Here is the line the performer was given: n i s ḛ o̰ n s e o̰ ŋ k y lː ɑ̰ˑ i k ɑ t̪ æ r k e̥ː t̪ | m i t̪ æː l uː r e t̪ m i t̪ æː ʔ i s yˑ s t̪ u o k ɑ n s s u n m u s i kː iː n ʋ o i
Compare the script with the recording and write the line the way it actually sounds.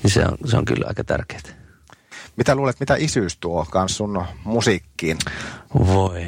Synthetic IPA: n i s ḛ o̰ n s e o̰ ŋ k y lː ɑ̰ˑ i k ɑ t̪ æ r k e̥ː t̪ | m i t̪ æ l uː l e t̪ m i t̪ æ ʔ i s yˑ s t̪ u o k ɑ n s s u n m u s i kː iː n ʋ o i